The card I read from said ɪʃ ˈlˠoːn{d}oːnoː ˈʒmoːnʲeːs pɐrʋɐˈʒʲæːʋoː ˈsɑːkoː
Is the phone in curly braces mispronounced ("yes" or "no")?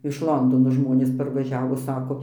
no